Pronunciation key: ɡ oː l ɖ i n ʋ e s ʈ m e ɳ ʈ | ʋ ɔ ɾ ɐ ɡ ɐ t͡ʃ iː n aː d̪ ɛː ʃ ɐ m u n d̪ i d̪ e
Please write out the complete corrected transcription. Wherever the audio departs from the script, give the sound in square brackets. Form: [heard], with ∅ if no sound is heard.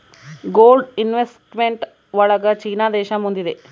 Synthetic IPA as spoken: ɡ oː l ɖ i n ʋ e s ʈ m e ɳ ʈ | ʋ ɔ [ɭ] ɐ ɡ ɐ t͡ʃ iː n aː d̪ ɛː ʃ ɐ m u n d̪ i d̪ e